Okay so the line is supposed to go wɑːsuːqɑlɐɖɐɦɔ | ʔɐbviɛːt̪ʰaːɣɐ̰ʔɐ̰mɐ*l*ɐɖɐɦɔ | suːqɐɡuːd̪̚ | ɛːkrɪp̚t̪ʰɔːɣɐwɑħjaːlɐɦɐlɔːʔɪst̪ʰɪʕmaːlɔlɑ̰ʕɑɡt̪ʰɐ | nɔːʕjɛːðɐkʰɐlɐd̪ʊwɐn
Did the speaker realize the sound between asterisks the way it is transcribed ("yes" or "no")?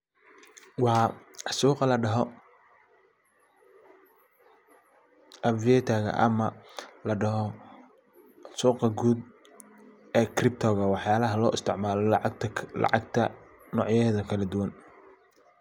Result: yes